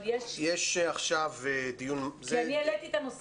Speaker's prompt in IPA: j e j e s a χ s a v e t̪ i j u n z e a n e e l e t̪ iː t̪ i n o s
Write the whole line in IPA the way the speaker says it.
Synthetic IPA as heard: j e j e ʃ a χ ʃ a v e d̪ i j u n z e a n i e l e t̪ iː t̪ a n o s